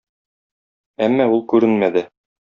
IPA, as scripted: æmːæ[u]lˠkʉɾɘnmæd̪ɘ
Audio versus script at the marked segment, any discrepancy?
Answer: no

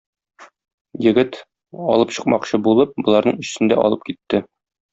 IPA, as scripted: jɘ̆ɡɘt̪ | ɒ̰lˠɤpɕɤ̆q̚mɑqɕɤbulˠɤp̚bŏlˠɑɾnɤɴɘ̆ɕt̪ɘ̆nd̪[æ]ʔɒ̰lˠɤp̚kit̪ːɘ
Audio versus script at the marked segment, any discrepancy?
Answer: no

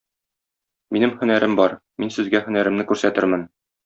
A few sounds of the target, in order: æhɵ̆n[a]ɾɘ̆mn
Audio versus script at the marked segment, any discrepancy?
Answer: yes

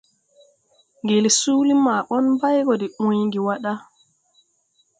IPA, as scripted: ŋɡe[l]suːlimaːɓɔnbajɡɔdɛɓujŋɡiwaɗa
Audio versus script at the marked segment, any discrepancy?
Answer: no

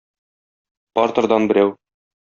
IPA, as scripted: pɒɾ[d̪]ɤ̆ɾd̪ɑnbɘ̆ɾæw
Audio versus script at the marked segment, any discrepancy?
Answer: yes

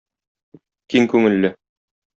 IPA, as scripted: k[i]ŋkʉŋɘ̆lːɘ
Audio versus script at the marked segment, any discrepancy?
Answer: no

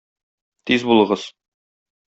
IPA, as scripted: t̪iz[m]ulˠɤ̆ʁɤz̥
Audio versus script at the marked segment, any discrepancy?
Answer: yes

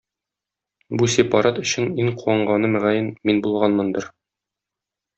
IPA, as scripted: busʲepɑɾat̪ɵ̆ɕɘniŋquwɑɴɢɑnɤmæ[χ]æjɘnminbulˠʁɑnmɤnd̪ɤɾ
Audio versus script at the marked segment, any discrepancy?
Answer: yes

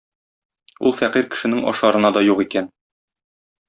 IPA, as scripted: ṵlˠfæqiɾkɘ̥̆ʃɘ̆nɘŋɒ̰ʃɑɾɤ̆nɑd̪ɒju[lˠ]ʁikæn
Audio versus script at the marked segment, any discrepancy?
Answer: yes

